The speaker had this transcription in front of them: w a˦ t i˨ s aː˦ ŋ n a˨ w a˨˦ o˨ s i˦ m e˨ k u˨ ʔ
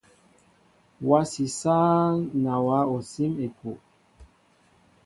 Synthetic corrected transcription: w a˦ s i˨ s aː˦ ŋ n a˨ w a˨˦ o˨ s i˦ m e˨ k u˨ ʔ